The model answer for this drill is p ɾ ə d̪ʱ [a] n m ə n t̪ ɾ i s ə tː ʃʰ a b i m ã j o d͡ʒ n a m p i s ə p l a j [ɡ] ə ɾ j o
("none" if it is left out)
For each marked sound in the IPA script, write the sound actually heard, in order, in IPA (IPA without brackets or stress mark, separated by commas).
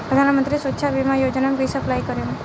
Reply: a, k